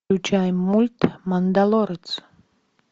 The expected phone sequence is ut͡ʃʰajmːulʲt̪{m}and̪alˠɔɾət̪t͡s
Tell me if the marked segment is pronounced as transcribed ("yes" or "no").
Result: yes